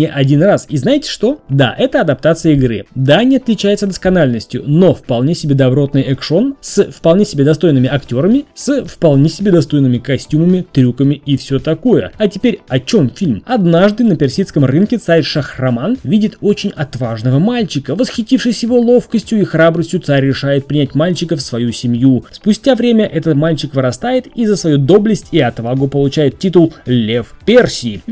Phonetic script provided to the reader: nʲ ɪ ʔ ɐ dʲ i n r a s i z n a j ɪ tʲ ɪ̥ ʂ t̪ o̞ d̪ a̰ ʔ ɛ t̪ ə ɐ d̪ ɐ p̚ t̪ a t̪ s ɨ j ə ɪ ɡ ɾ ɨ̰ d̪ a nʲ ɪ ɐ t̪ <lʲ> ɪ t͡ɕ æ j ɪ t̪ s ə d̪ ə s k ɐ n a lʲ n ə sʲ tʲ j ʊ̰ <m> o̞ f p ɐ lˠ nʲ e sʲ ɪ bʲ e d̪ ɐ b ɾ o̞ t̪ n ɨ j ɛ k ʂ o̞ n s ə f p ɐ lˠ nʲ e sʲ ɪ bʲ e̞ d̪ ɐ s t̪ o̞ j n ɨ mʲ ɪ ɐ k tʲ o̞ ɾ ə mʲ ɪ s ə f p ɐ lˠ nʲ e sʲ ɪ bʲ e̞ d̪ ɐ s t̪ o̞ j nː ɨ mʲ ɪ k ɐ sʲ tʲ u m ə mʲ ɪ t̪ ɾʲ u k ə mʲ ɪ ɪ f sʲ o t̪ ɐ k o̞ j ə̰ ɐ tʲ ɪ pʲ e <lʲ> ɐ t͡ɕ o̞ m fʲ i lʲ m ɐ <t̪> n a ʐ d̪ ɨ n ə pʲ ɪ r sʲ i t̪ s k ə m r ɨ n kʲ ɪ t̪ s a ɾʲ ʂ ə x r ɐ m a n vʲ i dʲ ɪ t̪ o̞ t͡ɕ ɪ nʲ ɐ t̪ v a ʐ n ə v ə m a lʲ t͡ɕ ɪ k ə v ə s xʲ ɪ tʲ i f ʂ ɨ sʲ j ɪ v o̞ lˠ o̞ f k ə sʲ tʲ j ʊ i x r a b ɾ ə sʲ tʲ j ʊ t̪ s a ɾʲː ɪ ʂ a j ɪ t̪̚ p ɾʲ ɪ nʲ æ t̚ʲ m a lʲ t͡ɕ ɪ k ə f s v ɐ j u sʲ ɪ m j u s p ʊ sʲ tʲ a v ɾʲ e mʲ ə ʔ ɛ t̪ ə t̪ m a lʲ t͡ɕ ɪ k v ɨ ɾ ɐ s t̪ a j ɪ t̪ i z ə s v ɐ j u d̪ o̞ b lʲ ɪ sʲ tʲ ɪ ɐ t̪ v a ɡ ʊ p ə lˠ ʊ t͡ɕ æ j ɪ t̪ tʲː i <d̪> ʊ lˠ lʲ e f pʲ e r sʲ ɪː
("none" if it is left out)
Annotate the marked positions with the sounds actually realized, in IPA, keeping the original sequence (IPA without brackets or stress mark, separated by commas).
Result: lʲ, n, ɾʲ, d̪, t̪